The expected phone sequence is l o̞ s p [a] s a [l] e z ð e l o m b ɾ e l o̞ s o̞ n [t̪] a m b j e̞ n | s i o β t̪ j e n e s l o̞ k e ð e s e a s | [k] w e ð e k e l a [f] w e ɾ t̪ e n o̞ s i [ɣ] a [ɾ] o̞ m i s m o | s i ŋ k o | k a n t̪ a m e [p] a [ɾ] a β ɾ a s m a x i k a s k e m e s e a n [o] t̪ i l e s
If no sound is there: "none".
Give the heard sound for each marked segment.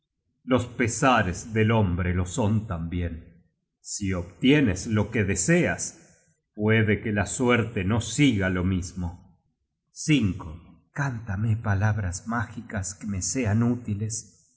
e, ɾ, t̪, p, s, ɣ, l, p, l, u

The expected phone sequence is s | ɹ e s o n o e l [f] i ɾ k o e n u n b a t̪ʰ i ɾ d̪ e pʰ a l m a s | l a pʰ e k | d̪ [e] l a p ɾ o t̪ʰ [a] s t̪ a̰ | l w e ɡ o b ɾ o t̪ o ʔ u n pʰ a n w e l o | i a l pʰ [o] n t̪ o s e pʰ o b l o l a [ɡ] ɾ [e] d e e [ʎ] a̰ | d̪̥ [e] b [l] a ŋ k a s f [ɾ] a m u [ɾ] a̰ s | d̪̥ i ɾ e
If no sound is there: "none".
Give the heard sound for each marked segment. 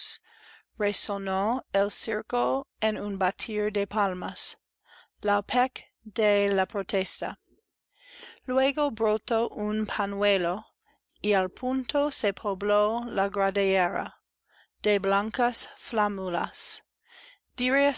s, e, e, u, ɡ, a, ɾ, e, l, l, l

